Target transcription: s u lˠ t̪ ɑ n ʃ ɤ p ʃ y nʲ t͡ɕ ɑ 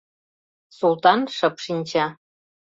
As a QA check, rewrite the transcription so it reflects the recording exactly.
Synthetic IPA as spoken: s u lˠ t̪ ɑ n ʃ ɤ p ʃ i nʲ t͡ɕ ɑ